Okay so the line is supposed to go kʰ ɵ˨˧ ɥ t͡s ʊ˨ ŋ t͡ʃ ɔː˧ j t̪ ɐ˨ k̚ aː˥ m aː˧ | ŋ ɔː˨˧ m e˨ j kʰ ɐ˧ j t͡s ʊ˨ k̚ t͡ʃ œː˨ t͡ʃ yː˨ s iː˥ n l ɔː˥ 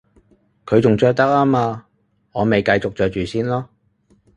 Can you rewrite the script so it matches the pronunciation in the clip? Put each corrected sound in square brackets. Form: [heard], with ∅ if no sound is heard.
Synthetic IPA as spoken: kʰ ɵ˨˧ ɥ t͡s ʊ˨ ŋ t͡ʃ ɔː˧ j t̪ [ɐ˥] k̚ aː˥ m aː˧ | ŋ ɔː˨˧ m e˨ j [k] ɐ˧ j t͡s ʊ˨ k̚ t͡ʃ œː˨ t͡ʃ yː˨ s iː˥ n l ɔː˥